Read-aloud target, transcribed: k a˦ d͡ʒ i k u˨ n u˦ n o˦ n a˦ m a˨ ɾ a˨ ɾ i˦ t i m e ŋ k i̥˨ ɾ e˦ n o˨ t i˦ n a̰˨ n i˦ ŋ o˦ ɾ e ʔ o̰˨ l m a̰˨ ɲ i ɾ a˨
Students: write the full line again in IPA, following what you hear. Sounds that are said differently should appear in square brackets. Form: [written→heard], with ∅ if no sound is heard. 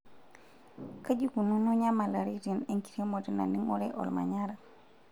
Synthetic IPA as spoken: k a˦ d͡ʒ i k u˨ n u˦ n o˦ [n→ɲ] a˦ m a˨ [ɾ→l] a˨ ɾ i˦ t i [m→n] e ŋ k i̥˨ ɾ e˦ [n→m] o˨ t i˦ n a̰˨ n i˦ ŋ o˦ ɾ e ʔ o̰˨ l m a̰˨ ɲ [i→a] ɾ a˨